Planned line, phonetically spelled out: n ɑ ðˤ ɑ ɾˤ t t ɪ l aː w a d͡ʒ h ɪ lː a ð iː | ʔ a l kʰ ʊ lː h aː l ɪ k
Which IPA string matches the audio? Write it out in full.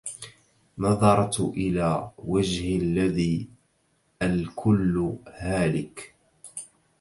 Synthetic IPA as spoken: n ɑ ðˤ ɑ ɾˤ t ʔ ɪ l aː w a d͡ʒ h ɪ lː a ð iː | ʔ a l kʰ ʊ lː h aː l ɪ k